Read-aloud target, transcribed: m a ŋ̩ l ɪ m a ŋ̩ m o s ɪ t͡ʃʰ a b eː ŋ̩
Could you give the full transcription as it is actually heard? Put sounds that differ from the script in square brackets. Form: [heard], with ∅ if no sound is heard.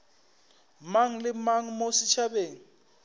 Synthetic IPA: m a ŋ̩ l ɪ m a ŋ̩ m o s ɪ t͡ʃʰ a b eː ŋ̩